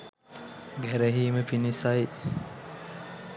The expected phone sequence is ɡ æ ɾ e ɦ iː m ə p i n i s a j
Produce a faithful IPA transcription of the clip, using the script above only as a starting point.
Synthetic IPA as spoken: ɡ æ ɾ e ɦ iː m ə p i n i s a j